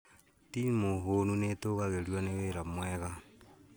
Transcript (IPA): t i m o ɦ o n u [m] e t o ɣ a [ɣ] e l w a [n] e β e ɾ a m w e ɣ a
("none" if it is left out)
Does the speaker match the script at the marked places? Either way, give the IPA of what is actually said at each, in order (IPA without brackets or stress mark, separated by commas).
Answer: n, ɣ, n